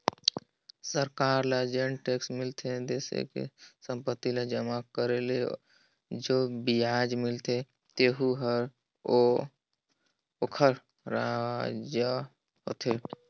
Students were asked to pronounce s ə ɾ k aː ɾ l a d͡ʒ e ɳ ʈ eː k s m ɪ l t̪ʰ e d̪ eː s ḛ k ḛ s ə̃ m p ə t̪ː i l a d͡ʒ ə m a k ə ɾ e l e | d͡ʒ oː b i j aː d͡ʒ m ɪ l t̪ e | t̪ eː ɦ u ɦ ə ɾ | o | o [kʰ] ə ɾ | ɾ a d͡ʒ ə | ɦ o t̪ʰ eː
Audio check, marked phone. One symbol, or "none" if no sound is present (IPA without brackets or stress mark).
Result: kʰ